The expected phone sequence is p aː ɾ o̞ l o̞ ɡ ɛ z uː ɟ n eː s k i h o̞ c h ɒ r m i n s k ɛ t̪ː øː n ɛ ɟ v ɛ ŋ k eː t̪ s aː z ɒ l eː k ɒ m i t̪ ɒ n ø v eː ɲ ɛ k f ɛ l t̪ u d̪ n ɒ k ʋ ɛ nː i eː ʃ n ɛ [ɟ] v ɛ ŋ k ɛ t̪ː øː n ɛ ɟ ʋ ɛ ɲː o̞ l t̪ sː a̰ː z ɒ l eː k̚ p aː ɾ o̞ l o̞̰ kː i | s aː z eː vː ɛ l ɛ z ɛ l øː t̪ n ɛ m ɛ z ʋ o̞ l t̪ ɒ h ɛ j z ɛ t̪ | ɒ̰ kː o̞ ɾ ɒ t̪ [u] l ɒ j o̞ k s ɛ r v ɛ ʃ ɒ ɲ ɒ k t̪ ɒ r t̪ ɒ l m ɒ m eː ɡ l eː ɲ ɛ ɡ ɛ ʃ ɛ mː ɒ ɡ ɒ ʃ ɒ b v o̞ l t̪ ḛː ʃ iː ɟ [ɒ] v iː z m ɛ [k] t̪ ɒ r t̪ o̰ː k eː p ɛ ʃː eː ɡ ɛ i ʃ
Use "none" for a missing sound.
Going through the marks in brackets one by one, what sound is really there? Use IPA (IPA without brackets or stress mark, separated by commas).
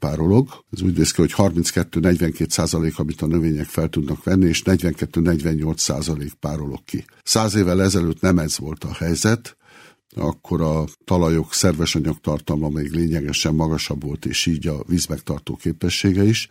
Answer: ɟ, ɒ, ɒ, k